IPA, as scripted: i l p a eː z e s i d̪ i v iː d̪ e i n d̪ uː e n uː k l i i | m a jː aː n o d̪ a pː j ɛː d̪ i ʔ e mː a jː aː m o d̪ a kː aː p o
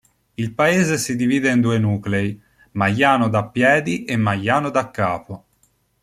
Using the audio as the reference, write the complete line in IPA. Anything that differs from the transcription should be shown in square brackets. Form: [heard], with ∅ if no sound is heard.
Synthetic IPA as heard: i l p a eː z e s i d̪ i v iː d̪ e i n d̪ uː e n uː k l [e] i | m a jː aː n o d̪ a pː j ɛː d̪ i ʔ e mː a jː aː [n] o d̪ a kː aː p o